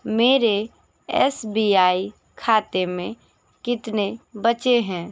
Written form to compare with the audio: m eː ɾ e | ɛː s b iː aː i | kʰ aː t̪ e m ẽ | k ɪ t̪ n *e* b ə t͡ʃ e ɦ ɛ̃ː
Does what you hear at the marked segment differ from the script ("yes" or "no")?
no